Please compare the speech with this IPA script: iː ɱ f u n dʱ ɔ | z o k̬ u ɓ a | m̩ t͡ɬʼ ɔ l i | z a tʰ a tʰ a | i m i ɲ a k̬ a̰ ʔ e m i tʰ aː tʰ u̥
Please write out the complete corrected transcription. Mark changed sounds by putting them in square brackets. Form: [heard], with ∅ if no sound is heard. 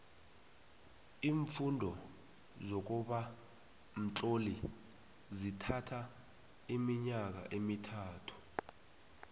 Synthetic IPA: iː ɱ f u n dʱ ɔ | z o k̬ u ɓ a | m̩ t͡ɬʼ [o] l i | z [i] tʰ a tʰ a | i m i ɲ a k̬ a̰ ʔ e m i tʰ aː tʰ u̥